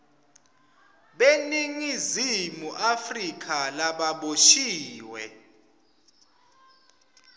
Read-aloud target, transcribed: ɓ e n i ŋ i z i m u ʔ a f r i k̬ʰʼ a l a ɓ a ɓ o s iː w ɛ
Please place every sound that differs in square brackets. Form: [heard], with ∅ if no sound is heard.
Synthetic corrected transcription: ɓ e n i ŋ i z i m u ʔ a f r i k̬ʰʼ a l a ɓ a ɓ o [ʃ] iː w ɛ